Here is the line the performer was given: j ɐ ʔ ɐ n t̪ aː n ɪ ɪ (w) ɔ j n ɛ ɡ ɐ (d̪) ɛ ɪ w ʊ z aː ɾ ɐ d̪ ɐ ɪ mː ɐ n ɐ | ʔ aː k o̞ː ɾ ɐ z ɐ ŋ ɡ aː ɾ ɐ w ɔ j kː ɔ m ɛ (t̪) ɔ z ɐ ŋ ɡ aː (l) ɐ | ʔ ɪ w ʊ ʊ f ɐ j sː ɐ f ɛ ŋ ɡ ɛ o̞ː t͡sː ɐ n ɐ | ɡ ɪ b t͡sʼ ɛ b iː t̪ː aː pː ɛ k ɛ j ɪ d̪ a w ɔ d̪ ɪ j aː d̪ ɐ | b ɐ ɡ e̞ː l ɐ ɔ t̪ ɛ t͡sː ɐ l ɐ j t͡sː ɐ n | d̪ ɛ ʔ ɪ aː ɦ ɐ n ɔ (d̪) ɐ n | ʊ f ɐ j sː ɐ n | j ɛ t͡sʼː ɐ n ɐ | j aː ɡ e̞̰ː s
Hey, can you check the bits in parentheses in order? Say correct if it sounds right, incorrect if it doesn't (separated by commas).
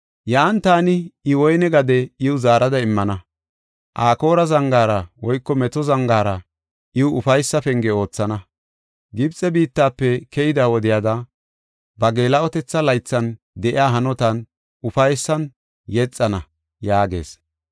correct, correct, correct, incorrect, incorrect